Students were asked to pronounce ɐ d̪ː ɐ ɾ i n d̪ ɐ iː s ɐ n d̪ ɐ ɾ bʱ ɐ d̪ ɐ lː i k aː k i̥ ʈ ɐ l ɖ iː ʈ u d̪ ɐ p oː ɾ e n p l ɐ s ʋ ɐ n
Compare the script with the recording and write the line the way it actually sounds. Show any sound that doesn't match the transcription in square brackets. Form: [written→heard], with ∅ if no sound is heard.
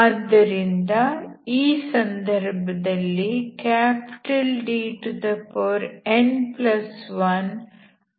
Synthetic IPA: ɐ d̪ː ɐ ɾ i n d̪ ɐ iː s ɐ n d̪ ɐ ɾ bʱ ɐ d̪ ɐ lː i k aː [k→p] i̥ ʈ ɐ l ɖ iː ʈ u d̪ ɐ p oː ɾ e n p l ɐ s ʋ ɐ n